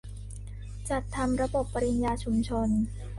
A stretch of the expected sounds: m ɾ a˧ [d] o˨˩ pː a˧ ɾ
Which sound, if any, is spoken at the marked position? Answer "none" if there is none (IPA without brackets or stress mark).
b